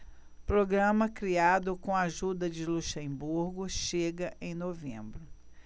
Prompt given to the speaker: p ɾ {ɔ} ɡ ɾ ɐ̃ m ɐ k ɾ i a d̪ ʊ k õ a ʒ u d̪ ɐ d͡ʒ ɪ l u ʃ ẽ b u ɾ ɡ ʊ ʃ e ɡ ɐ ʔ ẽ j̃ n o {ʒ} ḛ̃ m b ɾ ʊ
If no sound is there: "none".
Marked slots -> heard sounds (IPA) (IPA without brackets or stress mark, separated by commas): o, v